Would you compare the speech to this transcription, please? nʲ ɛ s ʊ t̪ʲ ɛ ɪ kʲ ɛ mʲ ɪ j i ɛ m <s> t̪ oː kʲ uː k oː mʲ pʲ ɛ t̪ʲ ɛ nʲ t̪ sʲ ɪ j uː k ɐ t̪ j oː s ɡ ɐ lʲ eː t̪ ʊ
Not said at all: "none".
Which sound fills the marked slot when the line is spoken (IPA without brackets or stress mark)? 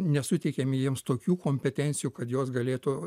s